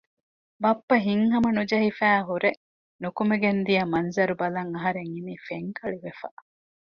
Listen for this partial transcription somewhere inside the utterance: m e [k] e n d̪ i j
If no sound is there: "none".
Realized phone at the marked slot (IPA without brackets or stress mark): ɡ